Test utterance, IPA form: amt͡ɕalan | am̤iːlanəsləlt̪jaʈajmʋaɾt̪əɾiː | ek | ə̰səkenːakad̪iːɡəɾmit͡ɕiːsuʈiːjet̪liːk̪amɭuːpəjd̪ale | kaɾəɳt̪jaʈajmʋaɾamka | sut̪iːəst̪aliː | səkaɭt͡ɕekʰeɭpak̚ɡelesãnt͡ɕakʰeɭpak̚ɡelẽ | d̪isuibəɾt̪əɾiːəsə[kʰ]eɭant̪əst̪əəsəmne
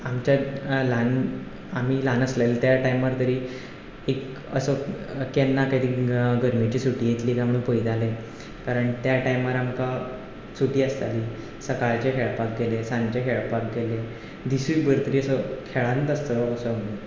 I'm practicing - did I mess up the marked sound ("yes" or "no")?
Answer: no